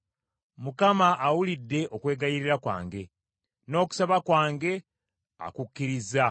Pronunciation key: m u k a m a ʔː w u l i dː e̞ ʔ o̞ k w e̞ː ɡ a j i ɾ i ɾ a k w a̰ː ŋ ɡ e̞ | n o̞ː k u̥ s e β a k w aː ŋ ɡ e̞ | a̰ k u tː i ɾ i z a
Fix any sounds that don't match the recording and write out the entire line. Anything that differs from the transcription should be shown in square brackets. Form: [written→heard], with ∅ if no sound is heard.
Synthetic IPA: m u k a m a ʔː w u l i dː e̞ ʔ o̞ k w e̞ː ɡ a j i ɾ i ɾ a k w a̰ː ŋ ɡ e̞ | n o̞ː k u̥ s [e→a] β a k w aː ŋ ɡ e̞ | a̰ k u [tː→kː] i ɾ i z a